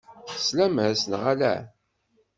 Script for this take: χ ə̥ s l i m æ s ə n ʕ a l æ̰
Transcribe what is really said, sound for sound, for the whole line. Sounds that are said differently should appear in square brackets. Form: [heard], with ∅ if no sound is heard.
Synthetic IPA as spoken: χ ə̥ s l [æ] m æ s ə n [ʁ] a l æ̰